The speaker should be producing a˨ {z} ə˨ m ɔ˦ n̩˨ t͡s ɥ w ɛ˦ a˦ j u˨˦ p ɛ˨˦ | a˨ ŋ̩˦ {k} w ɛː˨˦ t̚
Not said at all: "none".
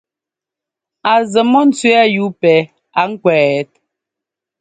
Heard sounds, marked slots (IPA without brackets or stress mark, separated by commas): z, k